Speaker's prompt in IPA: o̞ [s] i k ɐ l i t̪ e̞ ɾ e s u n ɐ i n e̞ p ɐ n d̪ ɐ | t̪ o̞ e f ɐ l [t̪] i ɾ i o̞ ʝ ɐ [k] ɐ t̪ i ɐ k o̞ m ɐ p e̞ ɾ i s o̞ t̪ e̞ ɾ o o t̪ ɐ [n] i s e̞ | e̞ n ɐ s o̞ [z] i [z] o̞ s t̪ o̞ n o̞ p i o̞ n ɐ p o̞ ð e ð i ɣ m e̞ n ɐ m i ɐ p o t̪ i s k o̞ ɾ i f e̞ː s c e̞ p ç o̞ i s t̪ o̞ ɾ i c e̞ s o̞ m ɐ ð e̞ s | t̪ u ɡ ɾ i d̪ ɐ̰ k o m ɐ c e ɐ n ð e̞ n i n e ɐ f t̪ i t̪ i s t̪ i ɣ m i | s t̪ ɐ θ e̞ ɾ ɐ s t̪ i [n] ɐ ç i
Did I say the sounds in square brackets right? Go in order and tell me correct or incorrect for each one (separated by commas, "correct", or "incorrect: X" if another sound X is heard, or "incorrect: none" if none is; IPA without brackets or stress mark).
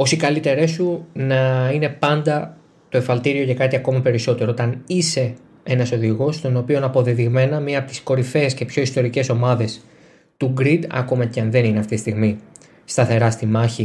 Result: correct, correct, correct, correct, incorrect: ð, incorrect: ɣ, incorrect: m